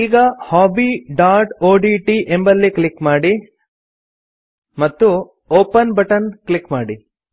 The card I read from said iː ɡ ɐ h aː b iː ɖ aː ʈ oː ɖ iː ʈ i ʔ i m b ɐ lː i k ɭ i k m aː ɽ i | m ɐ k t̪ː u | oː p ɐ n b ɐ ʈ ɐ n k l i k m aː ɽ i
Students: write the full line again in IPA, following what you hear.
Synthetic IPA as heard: iː ɡ ɐ h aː b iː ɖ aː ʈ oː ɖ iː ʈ i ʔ e m b ɐ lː i k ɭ i k m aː ɽ i | m ɐ t̪ː u | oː p ɐ n b ɐ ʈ ɐ n k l i k m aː ɽ i

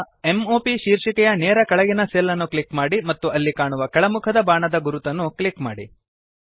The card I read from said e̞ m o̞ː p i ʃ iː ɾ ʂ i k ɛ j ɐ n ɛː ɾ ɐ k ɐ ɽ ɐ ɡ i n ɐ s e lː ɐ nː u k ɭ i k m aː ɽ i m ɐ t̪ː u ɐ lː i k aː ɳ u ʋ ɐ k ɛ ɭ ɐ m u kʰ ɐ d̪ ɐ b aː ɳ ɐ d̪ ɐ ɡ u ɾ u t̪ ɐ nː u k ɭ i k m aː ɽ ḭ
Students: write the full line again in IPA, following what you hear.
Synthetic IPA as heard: e̞ m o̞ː p i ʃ iː ɾ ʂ i k ɛ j ɐ n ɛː ɾ ɐ k ɐ ɭ ɐ ɡ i n ɐ s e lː ɐ nː u k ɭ i k m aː ɽ i m ɐ t̪ː u ɐ lː i k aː ɳ u ʋ ɐ k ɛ ɭ ɐ m u kʰ ɐ d̪ ɐ b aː ɳ ɐ d̪ ɐ ɡ u ɾ u t̪ ɐ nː u k ɭ i k m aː ɽ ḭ

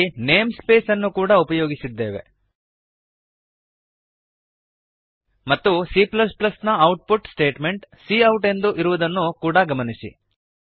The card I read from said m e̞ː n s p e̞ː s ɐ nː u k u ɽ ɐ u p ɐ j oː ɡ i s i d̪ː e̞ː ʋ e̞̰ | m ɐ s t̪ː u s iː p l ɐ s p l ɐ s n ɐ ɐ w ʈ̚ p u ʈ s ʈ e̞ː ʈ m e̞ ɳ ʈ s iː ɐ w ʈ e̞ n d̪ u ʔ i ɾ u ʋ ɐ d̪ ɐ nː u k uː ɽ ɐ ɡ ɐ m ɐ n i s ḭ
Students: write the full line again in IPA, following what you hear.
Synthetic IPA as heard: n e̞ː m s p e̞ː s ɐ nː u k uː ɽ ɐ u p ɐ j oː ɡ i s i d̪ː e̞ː ʋ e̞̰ | m ɐ t̪ː u s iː p l ɐ s p l ɐ s n ɐ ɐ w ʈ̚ p u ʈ s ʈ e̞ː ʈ m e̞ ɳ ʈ s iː ɐ w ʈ e̞ n d̪ u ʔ i ɾ u ʋ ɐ d̪ ɐ nː u k uː ɽ ɐ ɡ ɐ m ɐ n i s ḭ

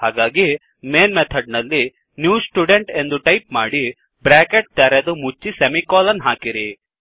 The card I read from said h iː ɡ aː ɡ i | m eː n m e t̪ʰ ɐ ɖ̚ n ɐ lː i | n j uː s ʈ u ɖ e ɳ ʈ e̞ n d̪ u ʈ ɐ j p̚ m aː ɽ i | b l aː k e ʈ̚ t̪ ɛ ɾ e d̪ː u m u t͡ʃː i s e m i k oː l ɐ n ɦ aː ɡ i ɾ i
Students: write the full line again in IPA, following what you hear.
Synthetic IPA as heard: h aː ɡ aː ɡ i | m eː n m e t̪ʰ ɐ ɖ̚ n ɐ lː i | n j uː s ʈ u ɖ e ɳ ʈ e̞ n d̪ u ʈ ɐ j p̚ m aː ɽ i | b ɾ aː k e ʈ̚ t̪ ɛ ɾ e d̪ u m u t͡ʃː i s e m i k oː l ɐ n ɦ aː k i ɾ i

